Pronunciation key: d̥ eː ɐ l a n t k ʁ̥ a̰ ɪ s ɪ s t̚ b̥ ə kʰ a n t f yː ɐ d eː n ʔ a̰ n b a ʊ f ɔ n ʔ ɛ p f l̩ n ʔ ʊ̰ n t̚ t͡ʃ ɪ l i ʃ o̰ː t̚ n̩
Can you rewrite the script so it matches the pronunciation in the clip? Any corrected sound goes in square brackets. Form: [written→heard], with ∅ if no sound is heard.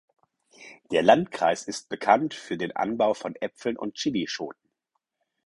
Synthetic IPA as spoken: d̥ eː ɐ l a n t k ʁ̥ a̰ ɪ s ɪ s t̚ b̥ ə kʰ a n t f yː ɐ d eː n ʔ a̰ n b a ʊ f ɔ n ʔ ɛ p f l̩ n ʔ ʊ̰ n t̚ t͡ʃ ɪ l i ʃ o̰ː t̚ n̩